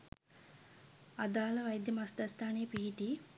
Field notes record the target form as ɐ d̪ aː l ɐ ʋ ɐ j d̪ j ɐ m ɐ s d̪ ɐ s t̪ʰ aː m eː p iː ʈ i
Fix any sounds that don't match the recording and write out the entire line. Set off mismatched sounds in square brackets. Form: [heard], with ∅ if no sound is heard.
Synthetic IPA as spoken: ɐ d̪ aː l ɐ ʋ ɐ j d̪ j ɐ m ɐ s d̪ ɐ s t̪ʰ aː [n] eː p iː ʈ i